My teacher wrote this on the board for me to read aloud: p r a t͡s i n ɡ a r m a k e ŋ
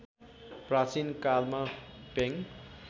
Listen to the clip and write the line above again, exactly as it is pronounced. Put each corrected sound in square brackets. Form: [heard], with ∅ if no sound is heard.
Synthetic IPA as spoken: p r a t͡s i n [k] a [l] m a [p] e ŋ